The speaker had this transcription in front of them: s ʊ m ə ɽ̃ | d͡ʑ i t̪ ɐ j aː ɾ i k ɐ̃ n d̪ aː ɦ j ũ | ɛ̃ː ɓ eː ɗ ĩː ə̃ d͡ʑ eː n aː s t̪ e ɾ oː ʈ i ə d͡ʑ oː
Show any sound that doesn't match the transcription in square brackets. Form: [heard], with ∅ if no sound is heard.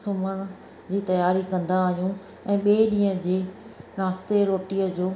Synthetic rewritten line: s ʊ m ə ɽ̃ | d͡ʑ [iː] t̪ ɐ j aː ɾ i k ɐ̃ n d̪ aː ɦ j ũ | ɛ̃ː ɓ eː ɗ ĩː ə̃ d͡ʑ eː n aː s t̪ e ɾ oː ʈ i ə d͡ʑ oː